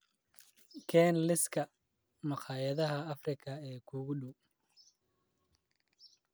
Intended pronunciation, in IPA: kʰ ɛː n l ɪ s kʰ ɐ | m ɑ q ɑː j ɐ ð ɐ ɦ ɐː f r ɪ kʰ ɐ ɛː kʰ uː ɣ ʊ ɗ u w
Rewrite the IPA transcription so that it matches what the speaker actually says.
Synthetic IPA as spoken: kʰ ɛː n l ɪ s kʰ ɐ | m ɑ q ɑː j ɐ ð ɐ ɦ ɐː f r ɪ kʰ ɐ ɛː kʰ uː ɣ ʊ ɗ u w